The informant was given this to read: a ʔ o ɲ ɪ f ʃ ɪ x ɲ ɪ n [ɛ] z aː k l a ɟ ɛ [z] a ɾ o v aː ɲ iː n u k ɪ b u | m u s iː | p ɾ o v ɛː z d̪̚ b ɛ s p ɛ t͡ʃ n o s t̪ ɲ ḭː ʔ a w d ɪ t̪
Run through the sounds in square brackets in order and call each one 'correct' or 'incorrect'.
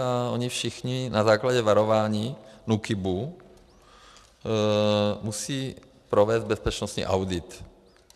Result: incorrect: a, incorrect: v

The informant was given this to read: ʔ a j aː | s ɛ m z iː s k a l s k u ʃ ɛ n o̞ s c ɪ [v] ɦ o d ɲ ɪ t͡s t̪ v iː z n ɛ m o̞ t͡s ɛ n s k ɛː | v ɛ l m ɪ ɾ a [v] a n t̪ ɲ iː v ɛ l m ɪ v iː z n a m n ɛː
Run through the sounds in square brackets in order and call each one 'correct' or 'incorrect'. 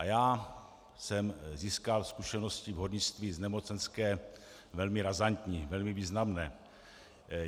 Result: correct, incorrect: z

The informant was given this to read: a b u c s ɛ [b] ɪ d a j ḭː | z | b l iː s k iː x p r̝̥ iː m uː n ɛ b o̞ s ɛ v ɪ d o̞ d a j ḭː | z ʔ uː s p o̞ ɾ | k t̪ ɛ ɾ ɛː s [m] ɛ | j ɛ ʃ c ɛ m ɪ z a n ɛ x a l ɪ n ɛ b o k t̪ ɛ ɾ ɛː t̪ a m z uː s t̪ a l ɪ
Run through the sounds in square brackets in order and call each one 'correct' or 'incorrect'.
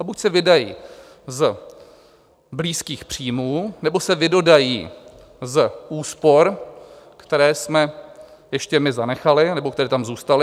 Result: incorrect: v, correct

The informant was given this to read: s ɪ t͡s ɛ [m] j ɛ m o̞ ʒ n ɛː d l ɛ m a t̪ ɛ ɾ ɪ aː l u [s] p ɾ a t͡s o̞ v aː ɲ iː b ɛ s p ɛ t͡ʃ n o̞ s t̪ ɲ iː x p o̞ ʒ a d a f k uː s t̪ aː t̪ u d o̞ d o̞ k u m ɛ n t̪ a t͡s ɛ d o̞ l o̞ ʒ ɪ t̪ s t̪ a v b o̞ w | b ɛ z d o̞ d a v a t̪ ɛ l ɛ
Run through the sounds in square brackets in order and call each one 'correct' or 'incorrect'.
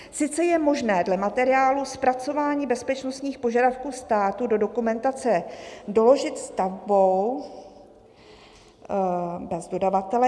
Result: incorrect: none, correct

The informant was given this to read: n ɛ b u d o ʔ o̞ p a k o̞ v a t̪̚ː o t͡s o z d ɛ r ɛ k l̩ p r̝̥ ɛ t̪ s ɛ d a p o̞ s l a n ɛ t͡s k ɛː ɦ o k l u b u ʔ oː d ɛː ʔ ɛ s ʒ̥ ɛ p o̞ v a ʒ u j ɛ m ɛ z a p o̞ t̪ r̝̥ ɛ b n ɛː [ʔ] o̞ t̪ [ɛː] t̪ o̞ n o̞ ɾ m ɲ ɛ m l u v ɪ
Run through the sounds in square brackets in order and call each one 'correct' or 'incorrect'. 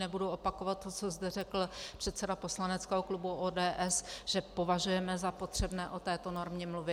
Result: correct, correct

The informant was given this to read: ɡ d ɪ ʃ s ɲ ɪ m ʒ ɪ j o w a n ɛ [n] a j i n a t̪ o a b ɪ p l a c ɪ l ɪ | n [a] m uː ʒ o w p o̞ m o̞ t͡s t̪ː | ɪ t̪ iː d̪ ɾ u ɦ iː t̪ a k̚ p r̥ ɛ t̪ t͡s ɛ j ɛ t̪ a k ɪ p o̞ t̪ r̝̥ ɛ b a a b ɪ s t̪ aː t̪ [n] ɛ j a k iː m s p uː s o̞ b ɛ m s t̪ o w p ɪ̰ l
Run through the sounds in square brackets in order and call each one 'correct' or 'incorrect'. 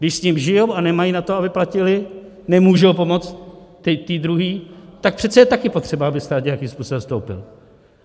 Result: incorrect: m, incorrect: ɛ, incorrect: ɲ

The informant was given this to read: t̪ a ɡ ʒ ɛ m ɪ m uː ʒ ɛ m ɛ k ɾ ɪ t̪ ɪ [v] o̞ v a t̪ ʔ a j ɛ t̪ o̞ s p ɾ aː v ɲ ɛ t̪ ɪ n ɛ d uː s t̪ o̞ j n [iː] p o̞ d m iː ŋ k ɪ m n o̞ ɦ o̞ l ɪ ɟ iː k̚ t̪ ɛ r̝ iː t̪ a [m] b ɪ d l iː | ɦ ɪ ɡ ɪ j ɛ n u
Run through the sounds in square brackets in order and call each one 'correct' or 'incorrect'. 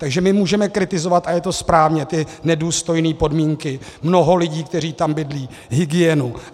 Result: incorrect: z, correct, correct

